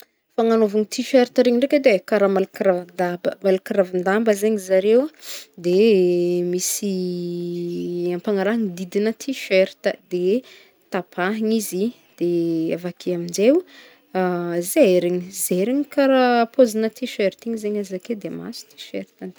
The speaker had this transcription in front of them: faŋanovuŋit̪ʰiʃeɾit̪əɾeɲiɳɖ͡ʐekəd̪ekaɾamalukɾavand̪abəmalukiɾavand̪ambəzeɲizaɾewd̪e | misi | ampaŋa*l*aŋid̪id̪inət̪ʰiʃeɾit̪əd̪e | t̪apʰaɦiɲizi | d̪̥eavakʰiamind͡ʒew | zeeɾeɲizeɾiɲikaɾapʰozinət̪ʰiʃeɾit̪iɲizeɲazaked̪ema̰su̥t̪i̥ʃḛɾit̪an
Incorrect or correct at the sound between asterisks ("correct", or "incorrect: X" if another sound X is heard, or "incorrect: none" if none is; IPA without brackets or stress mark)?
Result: incorrect: ɾ